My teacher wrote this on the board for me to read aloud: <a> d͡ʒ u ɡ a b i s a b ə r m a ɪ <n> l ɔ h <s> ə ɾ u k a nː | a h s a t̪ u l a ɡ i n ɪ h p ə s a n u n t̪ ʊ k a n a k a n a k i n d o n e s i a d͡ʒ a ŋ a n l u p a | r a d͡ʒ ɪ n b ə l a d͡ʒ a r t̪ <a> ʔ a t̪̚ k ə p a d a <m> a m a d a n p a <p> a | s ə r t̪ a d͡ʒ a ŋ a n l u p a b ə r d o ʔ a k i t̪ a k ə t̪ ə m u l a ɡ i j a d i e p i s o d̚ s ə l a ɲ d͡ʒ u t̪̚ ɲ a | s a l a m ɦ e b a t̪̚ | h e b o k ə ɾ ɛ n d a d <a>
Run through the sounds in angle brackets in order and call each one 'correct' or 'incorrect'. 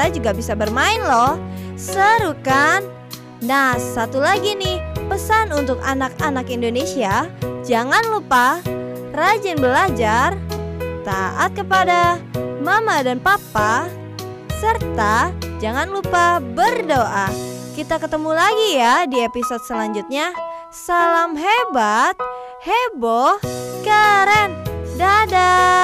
correct, correct, correct, correct, correct, correct, correct

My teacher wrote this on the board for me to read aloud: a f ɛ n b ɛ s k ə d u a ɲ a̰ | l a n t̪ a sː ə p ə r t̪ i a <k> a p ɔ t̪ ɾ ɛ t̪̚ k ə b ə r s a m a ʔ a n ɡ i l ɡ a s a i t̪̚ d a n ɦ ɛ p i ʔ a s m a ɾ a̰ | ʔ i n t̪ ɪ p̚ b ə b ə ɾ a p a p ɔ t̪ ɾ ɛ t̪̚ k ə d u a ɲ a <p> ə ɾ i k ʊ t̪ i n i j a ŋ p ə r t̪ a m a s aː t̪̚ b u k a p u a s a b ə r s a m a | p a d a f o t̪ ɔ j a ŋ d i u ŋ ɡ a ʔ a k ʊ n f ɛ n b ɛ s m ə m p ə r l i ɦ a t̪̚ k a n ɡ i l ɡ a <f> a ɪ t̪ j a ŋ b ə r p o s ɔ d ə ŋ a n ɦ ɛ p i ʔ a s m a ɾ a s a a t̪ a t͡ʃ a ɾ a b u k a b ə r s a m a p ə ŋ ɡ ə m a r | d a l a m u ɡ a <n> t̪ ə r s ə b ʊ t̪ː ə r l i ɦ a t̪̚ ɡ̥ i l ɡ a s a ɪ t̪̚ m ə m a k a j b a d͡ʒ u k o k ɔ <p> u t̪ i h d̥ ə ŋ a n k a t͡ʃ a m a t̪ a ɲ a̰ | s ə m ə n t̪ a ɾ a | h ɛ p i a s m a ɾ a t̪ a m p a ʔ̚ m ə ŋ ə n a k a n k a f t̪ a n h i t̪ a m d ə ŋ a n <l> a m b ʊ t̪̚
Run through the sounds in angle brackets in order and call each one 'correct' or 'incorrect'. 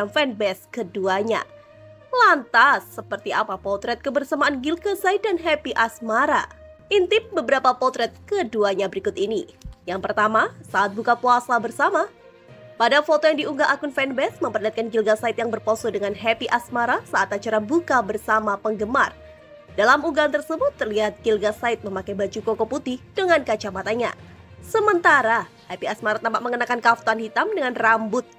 incorrect: p, incorrect: b, incorrect: s, correct, correct, incorrect: r

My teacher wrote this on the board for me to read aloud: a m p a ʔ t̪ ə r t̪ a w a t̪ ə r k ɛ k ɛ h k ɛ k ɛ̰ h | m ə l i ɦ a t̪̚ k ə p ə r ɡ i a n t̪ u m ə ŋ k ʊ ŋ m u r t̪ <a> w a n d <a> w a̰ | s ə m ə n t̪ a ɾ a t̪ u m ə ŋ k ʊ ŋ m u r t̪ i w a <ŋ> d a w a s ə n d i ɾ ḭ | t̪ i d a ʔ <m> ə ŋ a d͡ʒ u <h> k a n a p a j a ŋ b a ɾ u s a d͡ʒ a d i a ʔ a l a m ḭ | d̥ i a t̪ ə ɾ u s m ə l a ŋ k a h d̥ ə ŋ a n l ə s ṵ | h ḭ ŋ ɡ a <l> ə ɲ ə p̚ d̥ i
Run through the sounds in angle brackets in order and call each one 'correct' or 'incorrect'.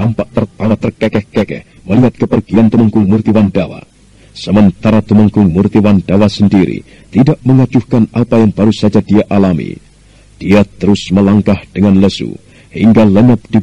incorrect: i, correct, incorrect: n, correct, correct, correct

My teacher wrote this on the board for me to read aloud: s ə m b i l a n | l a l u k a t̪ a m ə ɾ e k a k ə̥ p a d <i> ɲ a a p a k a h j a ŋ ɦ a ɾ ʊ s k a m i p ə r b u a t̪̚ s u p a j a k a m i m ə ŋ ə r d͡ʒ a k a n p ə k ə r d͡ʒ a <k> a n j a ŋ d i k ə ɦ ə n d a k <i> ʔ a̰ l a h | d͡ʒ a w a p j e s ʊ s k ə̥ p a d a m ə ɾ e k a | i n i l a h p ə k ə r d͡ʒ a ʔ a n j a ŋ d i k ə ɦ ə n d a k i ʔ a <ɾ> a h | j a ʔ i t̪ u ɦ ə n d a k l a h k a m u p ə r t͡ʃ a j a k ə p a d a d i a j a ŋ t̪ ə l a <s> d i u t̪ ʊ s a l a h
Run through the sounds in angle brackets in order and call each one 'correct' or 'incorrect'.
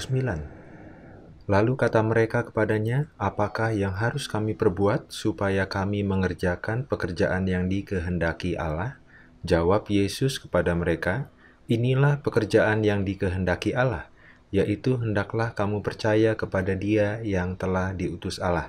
incorrect: a, incorrect: ʔ, correct, incorrect: l, incorrect: h

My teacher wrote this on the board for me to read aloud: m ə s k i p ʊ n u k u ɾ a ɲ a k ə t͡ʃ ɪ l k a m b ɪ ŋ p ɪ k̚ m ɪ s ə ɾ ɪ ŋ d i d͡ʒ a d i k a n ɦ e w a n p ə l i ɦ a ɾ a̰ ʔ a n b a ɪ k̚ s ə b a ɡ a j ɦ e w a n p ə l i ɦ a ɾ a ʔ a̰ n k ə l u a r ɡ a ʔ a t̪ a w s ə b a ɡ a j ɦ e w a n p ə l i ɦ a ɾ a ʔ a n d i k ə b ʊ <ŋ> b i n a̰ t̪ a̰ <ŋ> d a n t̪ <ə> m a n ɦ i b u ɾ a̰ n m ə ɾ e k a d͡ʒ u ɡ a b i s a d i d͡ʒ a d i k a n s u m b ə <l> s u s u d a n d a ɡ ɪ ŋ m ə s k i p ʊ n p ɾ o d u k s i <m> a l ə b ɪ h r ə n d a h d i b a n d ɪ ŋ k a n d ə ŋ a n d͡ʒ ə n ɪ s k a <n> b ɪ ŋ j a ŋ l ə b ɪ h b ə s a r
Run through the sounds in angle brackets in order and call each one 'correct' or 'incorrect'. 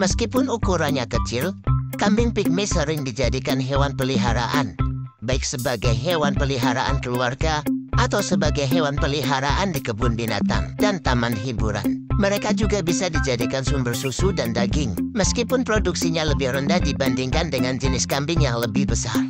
incorrect: n, correct, incorrect: a, incorrect: r, incorrect: ɲ, incorrect: m

